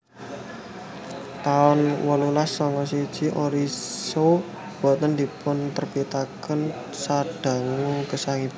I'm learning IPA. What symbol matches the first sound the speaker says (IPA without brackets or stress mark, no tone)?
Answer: t̪